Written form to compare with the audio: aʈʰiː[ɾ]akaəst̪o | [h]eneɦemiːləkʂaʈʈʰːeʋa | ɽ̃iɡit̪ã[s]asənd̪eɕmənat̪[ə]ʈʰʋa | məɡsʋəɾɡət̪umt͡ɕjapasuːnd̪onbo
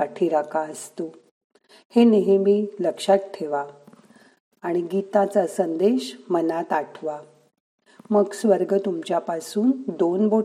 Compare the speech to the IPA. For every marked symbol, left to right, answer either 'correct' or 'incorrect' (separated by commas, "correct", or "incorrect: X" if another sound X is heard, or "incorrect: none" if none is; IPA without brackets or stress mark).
correct, correct, incorrect: t͡s, incorrect: a